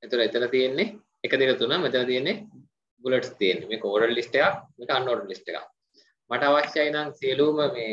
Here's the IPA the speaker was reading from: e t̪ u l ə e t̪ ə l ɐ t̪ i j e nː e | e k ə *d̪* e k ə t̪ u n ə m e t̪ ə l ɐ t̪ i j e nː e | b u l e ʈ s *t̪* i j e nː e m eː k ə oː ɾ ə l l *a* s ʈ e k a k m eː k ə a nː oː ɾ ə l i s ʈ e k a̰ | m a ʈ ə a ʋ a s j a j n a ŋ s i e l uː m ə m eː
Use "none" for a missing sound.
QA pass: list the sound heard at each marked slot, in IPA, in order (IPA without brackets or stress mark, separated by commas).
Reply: d̪, t̪, i